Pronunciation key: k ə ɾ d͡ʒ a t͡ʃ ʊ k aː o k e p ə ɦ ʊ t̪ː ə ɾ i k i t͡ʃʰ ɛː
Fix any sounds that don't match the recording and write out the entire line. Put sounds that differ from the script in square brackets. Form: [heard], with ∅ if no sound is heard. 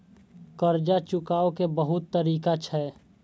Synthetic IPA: k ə ɾ d͡ʒ a t͡ʃ ʊ k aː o k e [b] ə ɦ ʊ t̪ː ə ɾ [iː] k [a] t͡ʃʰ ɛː